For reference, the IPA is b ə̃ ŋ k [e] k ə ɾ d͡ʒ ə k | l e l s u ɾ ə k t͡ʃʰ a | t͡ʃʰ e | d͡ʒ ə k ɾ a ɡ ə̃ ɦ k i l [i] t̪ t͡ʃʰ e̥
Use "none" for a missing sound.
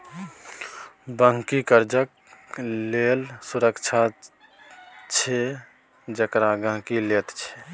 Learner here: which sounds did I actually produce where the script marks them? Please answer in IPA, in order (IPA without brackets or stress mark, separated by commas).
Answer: i, e